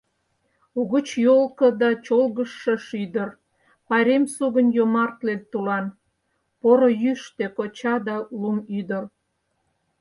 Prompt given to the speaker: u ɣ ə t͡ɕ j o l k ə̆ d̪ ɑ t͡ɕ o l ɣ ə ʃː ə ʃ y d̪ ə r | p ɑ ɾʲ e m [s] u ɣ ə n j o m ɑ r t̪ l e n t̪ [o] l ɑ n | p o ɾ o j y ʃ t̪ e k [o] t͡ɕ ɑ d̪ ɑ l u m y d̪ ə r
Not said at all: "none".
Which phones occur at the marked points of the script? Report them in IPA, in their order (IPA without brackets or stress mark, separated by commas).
s, u, o